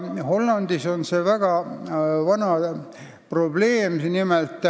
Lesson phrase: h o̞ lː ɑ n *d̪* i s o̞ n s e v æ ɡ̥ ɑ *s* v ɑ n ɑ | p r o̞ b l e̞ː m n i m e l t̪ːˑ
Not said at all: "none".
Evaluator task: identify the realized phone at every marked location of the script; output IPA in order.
d̪, none

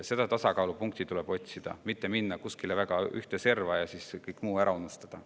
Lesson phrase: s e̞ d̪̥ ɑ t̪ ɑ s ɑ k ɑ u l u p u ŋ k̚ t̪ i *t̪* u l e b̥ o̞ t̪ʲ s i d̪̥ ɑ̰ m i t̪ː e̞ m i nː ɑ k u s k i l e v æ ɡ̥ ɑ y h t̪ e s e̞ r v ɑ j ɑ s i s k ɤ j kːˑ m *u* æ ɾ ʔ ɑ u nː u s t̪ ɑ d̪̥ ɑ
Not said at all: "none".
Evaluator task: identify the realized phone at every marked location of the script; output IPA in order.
t̪, uː

